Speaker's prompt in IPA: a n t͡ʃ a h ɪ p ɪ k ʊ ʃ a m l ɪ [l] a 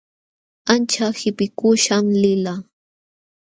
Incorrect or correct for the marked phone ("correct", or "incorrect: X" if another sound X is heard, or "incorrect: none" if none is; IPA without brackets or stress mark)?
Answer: correct